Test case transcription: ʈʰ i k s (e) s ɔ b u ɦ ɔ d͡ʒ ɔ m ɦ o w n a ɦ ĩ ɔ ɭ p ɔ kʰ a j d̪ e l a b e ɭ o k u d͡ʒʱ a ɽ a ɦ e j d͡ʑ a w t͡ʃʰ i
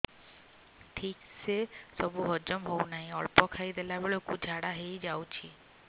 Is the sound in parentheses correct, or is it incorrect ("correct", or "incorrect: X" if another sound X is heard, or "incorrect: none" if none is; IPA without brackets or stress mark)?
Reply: correct